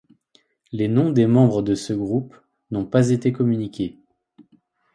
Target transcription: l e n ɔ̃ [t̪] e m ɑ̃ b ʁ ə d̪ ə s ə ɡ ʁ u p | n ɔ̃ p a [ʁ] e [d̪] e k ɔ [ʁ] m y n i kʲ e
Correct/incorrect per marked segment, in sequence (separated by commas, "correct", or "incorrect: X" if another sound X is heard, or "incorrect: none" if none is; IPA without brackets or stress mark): incorrect: d̪, incorrect: z, incorrect: t̪, incorrect: none